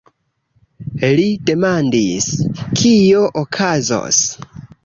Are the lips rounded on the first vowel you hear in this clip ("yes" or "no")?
no